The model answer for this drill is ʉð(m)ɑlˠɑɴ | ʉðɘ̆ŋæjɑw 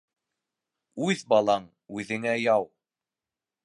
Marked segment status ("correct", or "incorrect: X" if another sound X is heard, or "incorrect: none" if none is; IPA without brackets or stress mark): incorrect: b